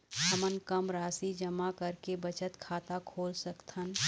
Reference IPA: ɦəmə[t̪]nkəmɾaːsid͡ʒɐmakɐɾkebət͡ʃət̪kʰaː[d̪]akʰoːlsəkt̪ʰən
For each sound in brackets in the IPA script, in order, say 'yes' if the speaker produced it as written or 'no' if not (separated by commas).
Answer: no, no